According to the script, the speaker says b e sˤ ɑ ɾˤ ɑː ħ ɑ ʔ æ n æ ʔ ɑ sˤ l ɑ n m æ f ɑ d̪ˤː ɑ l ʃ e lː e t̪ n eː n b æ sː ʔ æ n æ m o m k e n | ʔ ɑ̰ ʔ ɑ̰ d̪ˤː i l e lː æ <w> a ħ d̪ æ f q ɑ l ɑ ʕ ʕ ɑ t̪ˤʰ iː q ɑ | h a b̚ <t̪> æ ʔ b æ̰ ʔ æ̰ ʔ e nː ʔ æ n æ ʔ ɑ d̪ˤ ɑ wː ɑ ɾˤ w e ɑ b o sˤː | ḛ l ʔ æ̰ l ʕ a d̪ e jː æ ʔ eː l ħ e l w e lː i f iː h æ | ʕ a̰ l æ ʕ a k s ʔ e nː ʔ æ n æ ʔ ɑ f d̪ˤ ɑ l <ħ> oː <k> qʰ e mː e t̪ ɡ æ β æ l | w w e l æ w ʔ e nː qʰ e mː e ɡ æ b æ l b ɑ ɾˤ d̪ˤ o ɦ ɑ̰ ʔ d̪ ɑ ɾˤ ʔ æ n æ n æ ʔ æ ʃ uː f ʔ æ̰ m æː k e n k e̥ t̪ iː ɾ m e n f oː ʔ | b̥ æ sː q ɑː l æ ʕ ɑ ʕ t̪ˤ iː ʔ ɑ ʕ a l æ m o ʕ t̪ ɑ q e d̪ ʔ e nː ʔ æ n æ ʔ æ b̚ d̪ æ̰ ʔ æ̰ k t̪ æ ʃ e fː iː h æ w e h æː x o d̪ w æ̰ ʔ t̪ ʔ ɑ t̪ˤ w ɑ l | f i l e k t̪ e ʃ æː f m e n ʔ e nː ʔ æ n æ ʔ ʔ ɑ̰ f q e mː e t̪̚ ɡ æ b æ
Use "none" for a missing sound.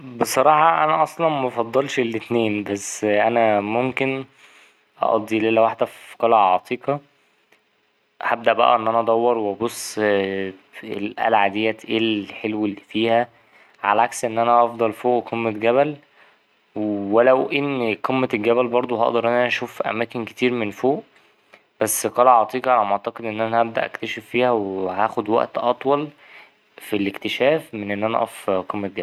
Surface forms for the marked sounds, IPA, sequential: w, d̪, f, ʔ

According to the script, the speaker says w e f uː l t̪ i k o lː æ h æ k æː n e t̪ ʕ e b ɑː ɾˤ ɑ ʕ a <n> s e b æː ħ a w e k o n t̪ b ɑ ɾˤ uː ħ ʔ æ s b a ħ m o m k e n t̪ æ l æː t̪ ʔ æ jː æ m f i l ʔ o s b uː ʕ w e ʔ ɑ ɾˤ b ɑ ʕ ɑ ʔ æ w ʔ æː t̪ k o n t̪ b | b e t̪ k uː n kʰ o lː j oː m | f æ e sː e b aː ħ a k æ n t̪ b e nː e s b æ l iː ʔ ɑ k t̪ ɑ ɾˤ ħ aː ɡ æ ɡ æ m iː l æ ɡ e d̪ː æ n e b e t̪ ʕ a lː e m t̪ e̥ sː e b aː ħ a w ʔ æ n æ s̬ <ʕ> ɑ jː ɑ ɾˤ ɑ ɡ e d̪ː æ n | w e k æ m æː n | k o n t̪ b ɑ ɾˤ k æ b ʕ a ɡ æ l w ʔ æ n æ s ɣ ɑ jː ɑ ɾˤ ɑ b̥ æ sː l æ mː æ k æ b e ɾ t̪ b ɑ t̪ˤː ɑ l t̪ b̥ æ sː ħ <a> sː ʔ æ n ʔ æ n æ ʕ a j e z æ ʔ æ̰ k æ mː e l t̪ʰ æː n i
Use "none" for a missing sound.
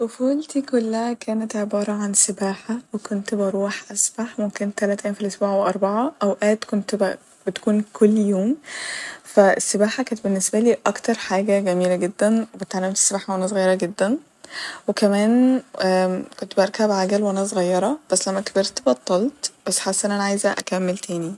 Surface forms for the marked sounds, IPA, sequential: n, ɣ, a

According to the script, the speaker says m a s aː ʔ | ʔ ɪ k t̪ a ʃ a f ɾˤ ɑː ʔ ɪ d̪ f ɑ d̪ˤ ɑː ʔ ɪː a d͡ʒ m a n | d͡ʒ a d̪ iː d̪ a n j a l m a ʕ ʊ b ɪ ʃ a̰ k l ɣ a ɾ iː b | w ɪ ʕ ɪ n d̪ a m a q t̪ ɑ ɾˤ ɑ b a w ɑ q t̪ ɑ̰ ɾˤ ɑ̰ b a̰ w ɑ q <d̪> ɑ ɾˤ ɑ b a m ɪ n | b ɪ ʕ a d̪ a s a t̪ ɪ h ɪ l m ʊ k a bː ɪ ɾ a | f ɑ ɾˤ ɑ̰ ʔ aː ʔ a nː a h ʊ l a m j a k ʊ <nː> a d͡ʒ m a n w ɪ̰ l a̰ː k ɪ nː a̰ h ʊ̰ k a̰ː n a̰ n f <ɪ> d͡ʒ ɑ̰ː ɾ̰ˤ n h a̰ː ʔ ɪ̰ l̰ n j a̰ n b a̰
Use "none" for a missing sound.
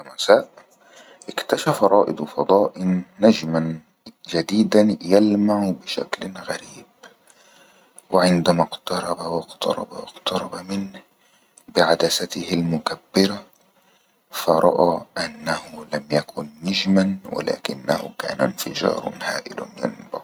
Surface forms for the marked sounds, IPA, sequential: t̪, nː, ɪ

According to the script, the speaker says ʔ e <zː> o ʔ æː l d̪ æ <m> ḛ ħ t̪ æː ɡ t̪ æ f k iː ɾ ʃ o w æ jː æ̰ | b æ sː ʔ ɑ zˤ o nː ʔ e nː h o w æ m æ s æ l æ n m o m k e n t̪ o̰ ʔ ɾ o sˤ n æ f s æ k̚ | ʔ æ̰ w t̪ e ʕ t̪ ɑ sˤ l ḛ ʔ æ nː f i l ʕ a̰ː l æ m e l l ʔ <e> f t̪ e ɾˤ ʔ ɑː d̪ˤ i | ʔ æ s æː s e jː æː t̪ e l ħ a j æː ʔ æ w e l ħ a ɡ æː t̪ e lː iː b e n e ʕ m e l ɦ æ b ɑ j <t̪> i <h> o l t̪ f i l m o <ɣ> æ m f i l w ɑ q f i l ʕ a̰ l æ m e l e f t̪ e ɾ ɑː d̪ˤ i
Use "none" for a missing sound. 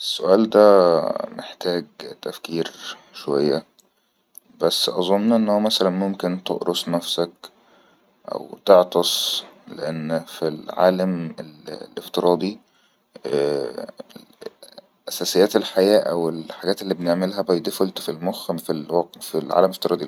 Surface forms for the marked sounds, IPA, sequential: sː, m, e, d̪, f, x

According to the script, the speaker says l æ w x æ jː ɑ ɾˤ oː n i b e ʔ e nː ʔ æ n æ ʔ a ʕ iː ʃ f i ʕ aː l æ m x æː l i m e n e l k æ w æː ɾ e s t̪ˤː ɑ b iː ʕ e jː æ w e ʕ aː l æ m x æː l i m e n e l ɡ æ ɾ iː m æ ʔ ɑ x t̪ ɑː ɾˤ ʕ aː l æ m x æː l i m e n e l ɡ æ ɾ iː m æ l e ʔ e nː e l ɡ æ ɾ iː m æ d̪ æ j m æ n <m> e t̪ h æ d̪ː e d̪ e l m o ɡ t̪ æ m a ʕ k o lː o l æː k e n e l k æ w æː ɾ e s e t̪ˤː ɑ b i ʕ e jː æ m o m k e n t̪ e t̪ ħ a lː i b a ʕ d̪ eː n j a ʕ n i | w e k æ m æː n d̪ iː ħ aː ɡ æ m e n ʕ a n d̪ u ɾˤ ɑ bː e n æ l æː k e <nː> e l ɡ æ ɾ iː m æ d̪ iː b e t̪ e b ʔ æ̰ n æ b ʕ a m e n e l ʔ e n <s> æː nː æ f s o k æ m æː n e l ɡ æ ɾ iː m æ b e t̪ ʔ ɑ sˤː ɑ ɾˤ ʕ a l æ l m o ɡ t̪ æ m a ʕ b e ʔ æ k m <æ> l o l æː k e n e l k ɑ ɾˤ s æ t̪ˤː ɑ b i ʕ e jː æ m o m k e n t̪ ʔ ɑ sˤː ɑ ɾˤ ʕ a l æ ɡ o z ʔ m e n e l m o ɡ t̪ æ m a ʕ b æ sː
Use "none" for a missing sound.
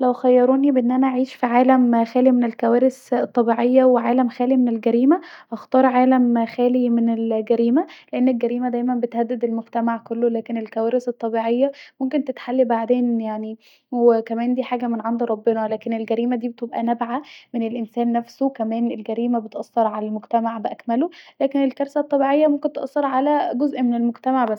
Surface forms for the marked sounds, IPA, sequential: b, n, s, æ

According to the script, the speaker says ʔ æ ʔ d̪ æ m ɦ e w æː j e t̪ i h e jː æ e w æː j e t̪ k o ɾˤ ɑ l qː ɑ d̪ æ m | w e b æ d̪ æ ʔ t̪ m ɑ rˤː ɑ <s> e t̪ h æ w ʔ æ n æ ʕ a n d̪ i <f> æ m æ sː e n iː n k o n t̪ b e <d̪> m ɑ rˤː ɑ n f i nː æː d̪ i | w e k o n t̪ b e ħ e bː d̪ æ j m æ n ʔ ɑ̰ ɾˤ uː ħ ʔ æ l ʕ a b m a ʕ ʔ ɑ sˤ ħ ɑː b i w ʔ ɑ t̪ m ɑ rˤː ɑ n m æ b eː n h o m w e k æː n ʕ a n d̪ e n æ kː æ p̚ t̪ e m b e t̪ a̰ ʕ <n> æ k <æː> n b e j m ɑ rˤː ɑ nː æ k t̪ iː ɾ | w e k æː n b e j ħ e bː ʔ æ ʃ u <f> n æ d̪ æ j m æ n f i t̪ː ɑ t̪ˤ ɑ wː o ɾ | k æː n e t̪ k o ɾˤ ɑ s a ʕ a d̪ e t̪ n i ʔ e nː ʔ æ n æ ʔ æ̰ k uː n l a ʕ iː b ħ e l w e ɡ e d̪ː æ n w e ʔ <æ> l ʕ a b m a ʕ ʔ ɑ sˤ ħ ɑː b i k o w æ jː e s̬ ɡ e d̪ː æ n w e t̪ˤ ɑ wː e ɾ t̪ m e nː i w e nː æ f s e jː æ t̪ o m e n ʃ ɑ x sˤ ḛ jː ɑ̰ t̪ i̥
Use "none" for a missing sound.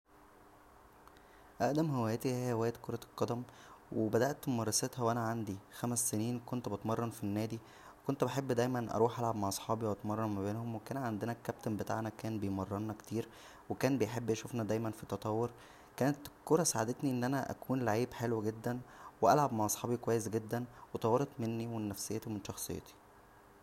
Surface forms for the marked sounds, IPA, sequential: s, x, t̪, n, æː, f, æ

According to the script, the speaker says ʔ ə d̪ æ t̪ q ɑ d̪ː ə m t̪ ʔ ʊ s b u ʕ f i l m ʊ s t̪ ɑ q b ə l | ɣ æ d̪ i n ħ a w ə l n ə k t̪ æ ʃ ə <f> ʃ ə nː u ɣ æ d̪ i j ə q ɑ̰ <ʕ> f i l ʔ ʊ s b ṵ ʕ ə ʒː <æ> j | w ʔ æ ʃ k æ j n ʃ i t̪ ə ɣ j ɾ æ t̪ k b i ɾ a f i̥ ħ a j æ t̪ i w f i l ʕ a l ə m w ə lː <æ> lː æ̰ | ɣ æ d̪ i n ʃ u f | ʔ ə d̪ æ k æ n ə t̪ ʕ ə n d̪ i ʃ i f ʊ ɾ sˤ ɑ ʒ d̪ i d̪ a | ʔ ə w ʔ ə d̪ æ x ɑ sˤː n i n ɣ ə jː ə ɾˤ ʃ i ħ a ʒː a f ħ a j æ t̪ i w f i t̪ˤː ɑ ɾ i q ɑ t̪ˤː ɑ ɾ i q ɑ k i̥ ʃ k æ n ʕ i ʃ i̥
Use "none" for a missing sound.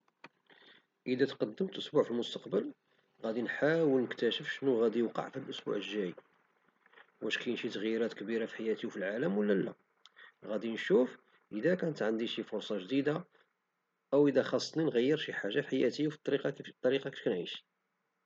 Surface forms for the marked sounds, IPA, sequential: f, ʕ, æ, æ

